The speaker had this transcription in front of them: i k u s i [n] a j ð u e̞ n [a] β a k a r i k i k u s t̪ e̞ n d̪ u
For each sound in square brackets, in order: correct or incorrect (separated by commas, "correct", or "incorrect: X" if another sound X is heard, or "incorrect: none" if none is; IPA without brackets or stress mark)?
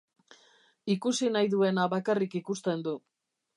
correct, correct